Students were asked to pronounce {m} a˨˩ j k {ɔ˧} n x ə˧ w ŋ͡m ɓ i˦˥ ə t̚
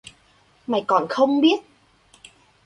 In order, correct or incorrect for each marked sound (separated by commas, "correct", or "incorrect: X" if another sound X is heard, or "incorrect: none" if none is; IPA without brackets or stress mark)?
correct, incorrect: ɔ˨˩